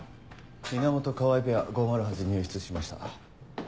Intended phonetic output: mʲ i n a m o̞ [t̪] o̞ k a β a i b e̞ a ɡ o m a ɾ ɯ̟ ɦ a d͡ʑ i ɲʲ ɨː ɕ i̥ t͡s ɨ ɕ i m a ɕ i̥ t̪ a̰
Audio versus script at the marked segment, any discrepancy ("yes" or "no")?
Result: no